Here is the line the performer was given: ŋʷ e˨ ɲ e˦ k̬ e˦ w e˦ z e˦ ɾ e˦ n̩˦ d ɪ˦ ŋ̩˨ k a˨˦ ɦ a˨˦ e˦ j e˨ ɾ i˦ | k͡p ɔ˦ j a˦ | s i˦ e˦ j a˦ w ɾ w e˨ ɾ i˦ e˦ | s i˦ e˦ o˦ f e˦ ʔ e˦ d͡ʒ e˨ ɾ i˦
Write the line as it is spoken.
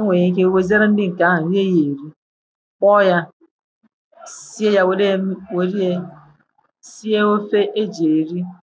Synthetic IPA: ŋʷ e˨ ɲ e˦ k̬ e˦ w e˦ z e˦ ɾ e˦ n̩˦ d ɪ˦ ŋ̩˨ k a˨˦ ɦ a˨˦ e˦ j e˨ ɾ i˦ | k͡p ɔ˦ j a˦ | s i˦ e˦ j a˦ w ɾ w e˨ ɾ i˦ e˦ | s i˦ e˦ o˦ f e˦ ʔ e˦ d͡ʒ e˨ ɾ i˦